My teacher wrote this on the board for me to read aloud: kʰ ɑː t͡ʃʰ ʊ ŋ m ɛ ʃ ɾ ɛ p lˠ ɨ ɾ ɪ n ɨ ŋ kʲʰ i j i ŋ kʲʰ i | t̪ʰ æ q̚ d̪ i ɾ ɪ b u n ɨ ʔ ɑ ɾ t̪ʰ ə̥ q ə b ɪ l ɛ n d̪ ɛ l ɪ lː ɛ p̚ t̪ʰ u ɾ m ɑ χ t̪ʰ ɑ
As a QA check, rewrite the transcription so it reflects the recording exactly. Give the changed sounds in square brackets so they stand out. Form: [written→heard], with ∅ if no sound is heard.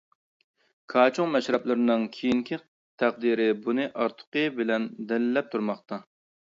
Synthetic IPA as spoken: kʰ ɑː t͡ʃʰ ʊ ŋ m ɛ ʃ ɾ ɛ p lˠ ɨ ɾ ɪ n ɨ ŋ kʲʰ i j i ŋ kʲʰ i | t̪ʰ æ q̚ d̪ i ɾ ɪ b u n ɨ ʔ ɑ ɾ t̪ʰ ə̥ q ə b ɪ l ɛ n d̪ ɛ l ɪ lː ɛ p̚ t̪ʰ u ɾ m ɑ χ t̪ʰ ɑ